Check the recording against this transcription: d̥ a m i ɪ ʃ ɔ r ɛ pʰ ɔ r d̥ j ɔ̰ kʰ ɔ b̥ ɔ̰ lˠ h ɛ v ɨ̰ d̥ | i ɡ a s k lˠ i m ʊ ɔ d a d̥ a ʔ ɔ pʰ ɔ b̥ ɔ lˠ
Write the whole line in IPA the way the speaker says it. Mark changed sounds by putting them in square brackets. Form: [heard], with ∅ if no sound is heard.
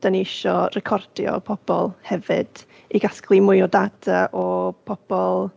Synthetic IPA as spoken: d̥ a [n] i ɪ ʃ ɔ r ɛ [kʰ] ɔ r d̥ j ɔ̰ [pʰ] ɔ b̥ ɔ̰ lˠ h ɛ v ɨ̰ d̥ | i ɡ a s k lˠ i m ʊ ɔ d a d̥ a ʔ ɔ pʰ ɔ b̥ ɔ lˠ